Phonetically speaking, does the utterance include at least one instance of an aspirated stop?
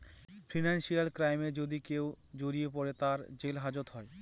no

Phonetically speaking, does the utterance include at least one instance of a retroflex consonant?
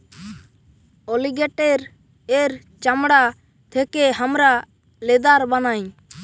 yes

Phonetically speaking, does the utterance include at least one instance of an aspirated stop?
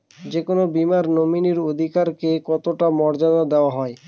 no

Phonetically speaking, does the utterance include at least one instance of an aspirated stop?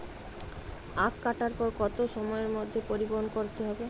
no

